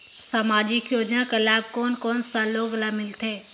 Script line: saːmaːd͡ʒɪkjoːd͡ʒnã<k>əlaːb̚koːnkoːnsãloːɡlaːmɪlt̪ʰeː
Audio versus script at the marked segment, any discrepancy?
no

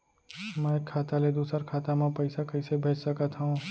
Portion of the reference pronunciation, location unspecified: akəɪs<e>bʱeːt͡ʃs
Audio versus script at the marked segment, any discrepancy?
no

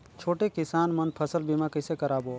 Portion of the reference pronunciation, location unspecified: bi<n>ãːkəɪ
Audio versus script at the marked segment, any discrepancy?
yes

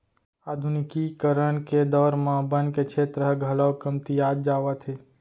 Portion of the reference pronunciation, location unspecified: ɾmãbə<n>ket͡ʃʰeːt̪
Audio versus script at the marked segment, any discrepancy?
no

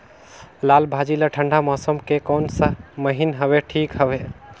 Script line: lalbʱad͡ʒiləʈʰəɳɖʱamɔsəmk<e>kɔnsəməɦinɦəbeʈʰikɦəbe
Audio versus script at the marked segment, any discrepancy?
no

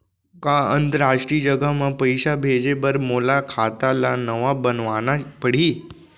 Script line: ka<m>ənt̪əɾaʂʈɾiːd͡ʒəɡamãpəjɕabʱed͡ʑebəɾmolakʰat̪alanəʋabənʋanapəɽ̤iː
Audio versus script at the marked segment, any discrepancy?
yes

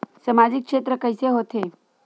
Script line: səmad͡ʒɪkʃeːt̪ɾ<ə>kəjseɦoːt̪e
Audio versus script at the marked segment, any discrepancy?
no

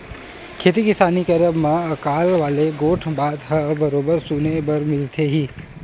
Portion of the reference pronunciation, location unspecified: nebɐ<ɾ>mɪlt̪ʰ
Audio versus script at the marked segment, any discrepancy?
no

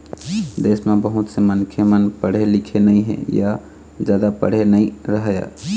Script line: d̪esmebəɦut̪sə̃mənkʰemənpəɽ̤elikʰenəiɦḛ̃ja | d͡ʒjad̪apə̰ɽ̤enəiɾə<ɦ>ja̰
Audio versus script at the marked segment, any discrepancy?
no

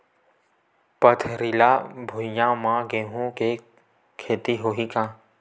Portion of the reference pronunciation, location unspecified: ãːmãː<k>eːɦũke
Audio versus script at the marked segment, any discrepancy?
yes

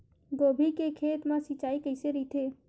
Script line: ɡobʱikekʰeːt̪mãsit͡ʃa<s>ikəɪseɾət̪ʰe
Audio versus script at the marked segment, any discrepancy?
yes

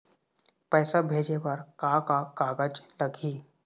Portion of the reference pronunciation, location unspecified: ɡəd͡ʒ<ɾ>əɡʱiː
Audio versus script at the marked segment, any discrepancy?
yes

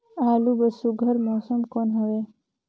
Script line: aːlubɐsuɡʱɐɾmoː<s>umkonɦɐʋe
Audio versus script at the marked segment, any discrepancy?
no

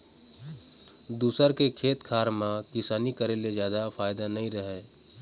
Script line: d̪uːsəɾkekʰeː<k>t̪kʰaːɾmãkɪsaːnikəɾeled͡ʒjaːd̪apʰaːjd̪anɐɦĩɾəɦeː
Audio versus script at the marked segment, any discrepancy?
yes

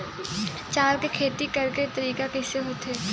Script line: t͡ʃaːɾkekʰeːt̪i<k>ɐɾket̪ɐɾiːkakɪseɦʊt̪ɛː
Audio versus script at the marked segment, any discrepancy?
no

